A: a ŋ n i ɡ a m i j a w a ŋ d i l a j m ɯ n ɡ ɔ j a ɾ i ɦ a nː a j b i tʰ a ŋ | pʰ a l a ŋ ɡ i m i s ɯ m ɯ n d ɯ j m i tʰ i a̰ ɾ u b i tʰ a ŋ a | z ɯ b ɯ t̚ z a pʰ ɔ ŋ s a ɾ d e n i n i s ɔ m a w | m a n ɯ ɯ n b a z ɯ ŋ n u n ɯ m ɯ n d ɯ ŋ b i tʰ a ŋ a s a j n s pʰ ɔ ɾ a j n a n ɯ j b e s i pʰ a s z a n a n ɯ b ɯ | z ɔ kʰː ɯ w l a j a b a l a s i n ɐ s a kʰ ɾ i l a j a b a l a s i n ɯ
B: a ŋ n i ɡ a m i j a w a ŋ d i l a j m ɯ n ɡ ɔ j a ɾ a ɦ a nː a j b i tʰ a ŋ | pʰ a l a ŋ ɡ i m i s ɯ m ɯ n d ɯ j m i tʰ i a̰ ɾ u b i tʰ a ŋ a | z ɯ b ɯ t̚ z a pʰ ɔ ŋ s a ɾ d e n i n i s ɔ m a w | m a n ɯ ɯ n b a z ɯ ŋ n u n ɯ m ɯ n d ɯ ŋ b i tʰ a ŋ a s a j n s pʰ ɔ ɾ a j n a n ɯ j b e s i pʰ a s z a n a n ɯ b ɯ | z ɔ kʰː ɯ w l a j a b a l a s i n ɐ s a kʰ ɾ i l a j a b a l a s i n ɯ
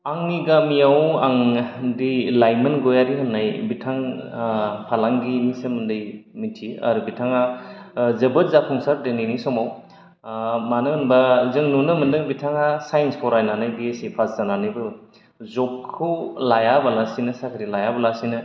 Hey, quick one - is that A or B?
A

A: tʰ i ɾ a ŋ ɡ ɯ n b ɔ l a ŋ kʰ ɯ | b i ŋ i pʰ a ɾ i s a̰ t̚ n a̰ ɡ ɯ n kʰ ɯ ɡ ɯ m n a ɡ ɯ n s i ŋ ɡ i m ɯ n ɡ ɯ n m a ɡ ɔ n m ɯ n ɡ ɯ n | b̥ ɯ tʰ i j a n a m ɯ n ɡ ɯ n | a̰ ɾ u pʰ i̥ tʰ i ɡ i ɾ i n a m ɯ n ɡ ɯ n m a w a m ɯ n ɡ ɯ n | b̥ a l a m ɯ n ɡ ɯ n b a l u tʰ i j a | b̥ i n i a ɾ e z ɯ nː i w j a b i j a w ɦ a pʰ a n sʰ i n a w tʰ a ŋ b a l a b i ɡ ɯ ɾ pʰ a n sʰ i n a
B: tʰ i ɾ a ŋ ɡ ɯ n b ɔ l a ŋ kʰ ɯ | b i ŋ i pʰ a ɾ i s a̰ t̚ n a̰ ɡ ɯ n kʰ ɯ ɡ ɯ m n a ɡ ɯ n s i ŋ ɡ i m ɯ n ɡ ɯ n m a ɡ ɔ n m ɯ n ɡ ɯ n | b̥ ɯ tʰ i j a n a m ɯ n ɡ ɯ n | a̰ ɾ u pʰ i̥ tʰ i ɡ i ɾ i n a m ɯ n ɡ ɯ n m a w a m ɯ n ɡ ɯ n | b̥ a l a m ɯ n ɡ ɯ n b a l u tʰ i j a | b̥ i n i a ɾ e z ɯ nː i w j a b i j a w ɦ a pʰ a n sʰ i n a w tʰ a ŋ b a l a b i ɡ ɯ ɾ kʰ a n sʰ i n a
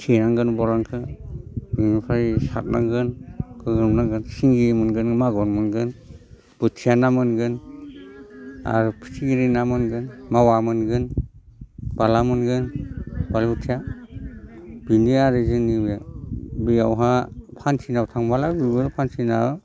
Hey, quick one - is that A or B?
A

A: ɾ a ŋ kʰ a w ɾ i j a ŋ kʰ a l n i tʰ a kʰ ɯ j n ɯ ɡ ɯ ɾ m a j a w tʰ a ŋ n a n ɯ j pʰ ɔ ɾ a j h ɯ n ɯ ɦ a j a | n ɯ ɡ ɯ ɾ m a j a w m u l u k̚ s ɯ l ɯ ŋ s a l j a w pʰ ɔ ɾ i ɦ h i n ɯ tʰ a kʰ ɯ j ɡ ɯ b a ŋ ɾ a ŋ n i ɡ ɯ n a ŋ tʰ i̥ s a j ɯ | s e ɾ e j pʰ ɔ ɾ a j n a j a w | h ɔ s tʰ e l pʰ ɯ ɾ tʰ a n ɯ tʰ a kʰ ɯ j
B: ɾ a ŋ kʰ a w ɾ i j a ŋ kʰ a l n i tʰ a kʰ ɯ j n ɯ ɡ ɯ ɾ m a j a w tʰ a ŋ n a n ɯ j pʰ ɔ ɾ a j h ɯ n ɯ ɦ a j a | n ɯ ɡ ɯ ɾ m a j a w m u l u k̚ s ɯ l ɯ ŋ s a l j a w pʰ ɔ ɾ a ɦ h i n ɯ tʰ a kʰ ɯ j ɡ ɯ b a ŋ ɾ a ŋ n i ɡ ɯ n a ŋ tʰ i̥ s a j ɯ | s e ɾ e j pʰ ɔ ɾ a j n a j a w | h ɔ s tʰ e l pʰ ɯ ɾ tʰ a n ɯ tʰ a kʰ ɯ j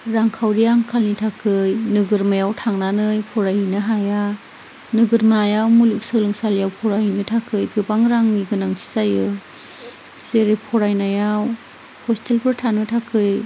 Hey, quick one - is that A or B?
B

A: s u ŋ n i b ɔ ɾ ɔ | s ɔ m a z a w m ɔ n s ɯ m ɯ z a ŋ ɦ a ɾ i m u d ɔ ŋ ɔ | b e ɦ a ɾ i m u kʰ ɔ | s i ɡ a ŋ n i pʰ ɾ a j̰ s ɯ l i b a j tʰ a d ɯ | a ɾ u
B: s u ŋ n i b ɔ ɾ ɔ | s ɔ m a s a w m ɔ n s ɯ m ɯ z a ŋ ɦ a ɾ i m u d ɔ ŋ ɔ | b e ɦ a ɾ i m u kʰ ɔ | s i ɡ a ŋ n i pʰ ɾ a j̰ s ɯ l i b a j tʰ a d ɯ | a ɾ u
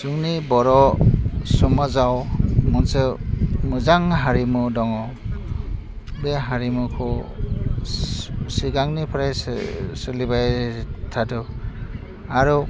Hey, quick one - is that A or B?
A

